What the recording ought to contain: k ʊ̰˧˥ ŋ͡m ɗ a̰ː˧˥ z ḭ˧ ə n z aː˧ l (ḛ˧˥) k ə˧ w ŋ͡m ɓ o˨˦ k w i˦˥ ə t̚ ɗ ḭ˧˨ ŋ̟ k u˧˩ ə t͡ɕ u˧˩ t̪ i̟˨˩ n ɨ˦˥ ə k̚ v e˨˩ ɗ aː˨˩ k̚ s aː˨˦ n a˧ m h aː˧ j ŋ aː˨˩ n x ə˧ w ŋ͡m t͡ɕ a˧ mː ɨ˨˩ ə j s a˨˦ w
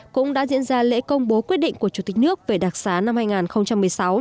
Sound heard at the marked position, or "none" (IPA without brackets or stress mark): ḛ˧˥